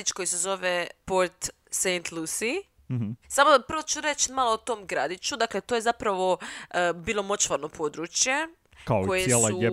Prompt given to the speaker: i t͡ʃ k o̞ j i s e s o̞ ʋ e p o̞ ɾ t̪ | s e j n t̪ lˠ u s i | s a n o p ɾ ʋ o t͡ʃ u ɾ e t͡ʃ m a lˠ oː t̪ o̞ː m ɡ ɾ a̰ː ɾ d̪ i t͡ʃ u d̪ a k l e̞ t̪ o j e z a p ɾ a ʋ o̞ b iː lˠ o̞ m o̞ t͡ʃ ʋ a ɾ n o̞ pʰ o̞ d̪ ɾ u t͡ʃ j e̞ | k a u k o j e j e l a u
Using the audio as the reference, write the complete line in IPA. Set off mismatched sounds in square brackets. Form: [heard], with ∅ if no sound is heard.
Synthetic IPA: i t͡ʃ k o̞ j i s e [z] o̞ ʋ e p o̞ ɾ t̪ | s e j n t̪ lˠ u s i | s a [m] o p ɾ ʋ o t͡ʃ u ɾ e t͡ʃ m a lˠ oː t̪ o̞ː m ɡ ɾ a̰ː [∅] d̪ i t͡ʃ u d̪ a k l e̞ t̪ o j e z a p ɾ a ʋ o̞ b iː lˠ o̞ m o̞ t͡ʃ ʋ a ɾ n o̞ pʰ o̞ d̪ ɾ u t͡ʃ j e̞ | k a [o] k o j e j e l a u